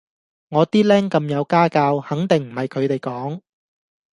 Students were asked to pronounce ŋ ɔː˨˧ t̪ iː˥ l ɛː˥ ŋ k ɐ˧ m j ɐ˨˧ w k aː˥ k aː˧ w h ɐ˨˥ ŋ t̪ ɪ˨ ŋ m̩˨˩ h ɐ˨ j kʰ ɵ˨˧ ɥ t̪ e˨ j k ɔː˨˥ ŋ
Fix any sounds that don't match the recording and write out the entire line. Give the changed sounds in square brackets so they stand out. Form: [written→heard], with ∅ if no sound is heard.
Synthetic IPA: ŋ ɔː˨˧ t̪ iː˥ l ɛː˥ ŋ k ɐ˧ m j ɐ˨˧ w k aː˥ k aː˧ w h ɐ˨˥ ŋ t̪ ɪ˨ ŋ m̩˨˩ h ɐ˨ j kʰ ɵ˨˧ ɥ t̪ e˨ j k ɔː˨˥ ŋ